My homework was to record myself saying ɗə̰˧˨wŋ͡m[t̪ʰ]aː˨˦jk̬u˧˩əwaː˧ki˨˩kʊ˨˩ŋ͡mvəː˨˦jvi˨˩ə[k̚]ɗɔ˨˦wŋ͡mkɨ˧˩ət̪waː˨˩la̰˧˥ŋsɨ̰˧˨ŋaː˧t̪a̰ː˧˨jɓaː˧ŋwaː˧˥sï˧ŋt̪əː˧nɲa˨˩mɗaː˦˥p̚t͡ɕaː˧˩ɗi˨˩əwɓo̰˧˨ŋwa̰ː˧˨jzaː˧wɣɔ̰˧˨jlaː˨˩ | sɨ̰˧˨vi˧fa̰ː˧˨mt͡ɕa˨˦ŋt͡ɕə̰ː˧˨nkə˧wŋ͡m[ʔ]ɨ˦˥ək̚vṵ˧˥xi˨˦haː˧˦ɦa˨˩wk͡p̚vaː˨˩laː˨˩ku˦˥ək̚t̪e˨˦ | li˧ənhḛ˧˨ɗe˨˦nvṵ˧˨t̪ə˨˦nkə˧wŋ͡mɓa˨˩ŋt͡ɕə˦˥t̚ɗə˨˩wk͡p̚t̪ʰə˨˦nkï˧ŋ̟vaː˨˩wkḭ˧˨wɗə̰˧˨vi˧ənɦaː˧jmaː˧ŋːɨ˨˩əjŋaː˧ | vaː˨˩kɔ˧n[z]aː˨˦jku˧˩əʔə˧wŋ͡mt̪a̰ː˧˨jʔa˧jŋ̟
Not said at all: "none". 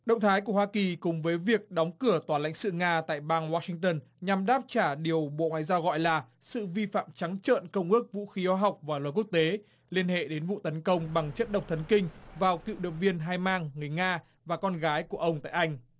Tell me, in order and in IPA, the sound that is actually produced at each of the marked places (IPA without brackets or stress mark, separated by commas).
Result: t̪ʰ, k̚, ʔ, ɣ